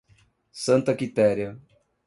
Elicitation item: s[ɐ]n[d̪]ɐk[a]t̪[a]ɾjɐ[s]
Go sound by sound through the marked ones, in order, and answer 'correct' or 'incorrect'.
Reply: incorrect: ɐ̃, incorrect: t̪, incorrect: i, incorrect: ɛ, incorrect: none

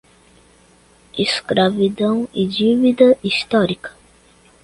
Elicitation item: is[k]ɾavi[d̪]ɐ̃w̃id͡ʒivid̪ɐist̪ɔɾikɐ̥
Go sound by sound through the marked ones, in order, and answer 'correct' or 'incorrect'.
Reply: correct, correct

